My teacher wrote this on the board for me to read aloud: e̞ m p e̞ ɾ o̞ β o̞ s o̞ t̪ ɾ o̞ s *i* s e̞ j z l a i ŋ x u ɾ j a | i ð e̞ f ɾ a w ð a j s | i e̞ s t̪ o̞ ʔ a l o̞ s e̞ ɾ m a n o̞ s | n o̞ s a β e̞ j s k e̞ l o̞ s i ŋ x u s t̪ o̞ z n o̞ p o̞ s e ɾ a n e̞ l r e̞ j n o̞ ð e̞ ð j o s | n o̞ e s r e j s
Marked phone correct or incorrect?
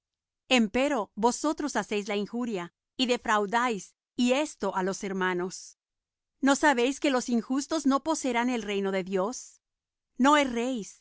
incorrect